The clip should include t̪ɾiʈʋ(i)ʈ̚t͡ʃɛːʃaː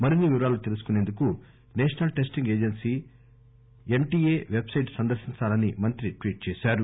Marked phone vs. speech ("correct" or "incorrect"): incorrect